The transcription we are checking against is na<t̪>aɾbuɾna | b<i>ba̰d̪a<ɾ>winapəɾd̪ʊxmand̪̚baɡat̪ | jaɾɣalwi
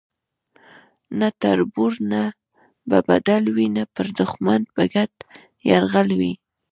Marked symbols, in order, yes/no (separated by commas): yes, no, no